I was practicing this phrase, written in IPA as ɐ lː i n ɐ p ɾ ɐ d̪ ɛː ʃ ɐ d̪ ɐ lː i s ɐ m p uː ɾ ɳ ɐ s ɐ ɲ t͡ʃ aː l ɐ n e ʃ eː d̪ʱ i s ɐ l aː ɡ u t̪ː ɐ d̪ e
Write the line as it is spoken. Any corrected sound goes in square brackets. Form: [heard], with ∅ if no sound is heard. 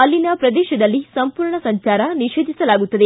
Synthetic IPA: ɐ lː i n ɐ p ɾ ɐ d̪ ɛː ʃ ɐ d̪ ɐ lː i s ɐ m p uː ɾ ɳ ɐ s ɐ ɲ t͡ʃ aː [ɾ] ɐ n [i] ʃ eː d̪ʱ i s ɐ l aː ɡ u t̪ː ɐ d̪ e